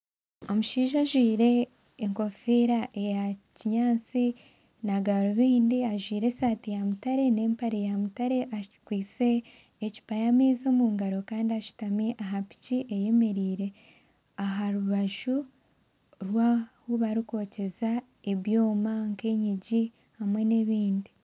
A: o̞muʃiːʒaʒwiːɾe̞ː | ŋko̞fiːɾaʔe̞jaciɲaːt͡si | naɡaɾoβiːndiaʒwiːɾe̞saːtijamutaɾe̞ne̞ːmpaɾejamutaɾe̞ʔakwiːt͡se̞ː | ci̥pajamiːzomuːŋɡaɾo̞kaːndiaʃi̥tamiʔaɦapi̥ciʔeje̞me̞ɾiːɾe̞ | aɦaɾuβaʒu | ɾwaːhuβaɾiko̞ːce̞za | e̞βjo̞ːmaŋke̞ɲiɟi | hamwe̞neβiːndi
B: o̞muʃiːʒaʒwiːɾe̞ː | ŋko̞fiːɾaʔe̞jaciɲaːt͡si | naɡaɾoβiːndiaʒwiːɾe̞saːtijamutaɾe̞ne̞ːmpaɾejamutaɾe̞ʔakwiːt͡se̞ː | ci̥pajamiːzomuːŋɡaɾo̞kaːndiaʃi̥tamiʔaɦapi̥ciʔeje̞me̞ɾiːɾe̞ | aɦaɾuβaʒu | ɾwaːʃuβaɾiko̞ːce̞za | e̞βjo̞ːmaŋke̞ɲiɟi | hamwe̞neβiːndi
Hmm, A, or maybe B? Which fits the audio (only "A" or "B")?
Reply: A